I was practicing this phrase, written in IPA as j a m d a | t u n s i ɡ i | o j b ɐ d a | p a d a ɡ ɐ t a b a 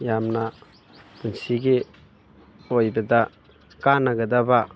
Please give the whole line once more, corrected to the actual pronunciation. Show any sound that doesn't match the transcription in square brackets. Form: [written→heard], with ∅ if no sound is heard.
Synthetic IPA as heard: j a m [d→n] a | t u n s i ɡ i | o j b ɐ d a | [p→k] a [d→n] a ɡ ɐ [t→d] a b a